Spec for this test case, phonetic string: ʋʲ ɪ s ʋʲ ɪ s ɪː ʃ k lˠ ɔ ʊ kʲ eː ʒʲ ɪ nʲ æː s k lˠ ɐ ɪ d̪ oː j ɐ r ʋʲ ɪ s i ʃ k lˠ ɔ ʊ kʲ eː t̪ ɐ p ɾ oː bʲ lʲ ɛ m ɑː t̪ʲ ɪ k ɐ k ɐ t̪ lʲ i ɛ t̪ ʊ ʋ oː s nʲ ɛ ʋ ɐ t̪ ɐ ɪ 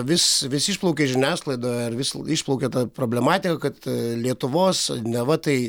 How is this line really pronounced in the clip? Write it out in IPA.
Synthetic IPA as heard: ʋʲ ɪ s ʋʲ ɪ s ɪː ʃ p lˠ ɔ ʊ kʲ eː ʒʲ ɪ nʲ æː s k lˠ ɐ ɪ d̪ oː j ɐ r ʋʲ ɪ s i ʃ p lˠ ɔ ʊ kʲ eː t̪ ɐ p ɾ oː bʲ lʲ ɛ m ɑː t̪ʲ ɪ k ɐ k ɐ t̪ lʲ i ɛ t̪ ʊ ʋ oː s nʲ ɛ ʋ ɐ t̪ ɐ ɪ